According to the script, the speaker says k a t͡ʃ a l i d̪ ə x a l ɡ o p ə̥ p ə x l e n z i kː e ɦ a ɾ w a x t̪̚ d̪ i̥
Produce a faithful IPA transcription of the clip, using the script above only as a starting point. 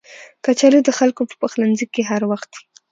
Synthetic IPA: k a t͡ʃ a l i d̪ ə x a l k o p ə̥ p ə x l a n z i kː e ɦ a ɾ w a x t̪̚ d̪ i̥